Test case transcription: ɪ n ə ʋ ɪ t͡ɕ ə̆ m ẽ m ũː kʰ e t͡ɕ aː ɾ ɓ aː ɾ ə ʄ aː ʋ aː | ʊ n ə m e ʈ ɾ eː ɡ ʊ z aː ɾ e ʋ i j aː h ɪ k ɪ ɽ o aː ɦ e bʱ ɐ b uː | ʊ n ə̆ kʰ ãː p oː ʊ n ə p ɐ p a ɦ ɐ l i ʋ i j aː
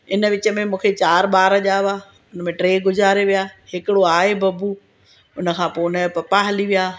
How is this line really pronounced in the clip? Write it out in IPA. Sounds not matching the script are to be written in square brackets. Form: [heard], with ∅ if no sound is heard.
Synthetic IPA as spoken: ɪ n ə ʋ ɪ t͡ɕ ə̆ m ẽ m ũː kʰ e t͡ɕ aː ɾ ɓ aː ɾ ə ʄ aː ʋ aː | ʊ n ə m [ẽ] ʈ ɾ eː ɡ ʊ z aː ɾ e ʋ i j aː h ɪ k ɪ ɽ o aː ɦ e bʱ ɐ b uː | ʊ n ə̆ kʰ ãː p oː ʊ n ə p ɐ p a ɦ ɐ l i ʋ i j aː